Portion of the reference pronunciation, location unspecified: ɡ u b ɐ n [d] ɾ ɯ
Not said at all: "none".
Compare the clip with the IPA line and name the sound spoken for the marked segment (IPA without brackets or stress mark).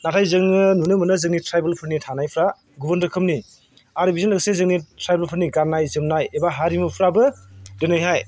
d